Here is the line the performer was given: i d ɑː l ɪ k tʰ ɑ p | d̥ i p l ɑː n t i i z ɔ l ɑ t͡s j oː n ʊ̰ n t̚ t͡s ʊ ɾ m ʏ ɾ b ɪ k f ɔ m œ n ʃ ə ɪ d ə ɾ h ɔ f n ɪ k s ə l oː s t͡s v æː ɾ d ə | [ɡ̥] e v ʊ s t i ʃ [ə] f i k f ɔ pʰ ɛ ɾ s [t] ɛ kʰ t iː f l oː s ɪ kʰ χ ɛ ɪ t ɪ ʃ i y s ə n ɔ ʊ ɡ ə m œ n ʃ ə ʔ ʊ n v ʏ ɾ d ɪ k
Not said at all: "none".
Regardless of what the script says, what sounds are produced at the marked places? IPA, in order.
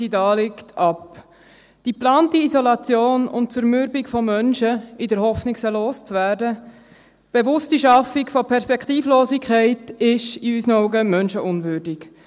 b̥, ɑ, p

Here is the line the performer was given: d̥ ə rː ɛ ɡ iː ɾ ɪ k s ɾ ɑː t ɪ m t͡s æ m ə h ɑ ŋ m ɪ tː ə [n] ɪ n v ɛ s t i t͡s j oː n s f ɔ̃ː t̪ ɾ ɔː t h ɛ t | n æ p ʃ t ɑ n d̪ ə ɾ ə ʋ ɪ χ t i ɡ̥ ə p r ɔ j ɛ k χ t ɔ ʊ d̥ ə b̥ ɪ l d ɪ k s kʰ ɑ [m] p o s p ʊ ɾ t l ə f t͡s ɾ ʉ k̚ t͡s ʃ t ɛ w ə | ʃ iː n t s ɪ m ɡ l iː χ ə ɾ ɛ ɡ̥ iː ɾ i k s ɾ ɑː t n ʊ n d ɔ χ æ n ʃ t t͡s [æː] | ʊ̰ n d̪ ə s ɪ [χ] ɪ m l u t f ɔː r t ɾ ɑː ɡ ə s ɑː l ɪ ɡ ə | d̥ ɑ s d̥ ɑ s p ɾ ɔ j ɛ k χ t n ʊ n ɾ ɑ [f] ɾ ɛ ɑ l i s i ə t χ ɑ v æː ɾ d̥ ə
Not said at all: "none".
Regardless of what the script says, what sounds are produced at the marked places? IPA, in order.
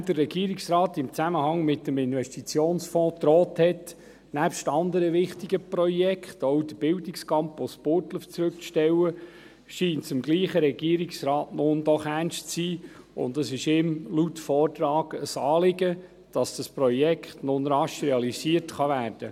m, m, iː, ʃ, ʃ

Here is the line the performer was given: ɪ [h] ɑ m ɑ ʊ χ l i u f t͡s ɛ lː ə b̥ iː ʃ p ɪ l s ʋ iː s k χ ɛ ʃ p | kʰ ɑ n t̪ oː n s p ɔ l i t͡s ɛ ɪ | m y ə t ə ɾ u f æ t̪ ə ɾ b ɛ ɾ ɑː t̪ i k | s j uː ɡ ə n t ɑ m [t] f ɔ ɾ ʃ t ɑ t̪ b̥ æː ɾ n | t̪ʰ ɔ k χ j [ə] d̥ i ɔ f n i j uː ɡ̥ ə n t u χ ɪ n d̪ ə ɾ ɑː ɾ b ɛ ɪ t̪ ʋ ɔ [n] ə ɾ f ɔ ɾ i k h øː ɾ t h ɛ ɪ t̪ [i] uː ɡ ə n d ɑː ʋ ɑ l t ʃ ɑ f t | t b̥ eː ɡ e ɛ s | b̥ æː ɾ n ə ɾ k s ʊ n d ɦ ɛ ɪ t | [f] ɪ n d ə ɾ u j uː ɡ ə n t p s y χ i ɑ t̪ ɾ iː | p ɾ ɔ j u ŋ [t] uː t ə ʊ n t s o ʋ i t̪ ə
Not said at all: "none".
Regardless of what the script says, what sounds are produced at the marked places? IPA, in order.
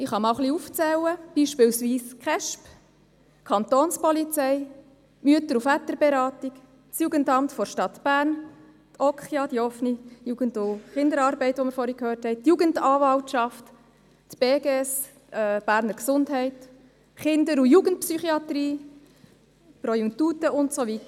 χ, t, ɑ, m, j, χ, t

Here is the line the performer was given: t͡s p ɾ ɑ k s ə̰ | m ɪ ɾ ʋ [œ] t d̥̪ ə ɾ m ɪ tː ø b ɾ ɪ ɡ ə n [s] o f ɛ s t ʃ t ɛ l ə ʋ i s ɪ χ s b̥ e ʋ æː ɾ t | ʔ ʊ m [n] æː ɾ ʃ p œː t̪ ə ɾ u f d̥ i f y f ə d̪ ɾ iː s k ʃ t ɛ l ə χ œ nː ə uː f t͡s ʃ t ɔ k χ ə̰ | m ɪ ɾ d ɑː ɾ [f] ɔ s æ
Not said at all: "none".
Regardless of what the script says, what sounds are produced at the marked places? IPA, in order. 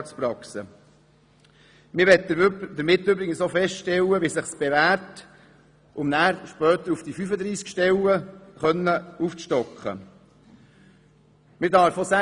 ɛ, s, n, f

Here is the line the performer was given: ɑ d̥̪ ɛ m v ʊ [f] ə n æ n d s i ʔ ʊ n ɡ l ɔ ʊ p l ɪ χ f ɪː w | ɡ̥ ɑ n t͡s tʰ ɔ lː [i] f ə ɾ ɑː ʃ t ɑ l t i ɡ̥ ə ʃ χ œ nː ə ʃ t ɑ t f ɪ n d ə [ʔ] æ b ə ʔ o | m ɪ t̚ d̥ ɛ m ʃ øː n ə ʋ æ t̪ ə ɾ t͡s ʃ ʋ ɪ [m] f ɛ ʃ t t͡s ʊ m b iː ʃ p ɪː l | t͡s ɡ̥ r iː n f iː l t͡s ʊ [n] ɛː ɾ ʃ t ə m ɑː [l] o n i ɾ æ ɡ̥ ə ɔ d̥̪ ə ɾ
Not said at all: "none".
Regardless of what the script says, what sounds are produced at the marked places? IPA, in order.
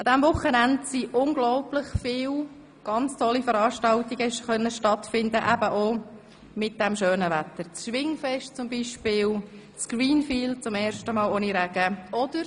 χ, i, ʔ, ŋ, m, l

